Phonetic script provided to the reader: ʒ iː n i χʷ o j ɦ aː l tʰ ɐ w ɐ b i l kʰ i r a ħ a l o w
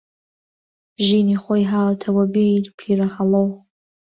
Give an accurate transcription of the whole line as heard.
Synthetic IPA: ʒ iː n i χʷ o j ɦ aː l tʰ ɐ w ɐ b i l pʰ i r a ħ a l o w